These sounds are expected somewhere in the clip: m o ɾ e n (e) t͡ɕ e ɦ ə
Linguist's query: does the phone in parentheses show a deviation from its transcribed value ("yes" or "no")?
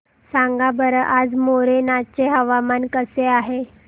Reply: yes